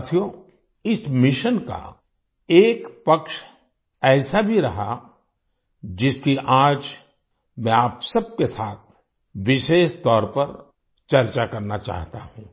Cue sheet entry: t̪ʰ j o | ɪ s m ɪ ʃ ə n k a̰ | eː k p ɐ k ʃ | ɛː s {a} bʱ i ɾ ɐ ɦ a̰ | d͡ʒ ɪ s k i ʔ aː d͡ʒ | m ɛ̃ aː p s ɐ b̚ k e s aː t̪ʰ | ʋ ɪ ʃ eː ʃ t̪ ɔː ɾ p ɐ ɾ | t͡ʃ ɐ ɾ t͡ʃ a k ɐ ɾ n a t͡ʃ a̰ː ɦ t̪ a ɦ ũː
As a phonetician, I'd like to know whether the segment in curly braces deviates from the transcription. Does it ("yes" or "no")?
no